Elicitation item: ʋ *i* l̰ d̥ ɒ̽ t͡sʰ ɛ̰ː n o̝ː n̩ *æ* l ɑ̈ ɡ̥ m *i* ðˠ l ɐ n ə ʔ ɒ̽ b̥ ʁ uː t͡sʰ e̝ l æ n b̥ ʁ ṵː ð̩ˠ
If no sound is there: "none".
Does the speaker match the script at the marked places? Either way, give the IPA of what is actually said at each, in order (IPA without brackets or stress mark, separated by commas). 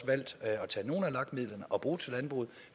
æ, æ, i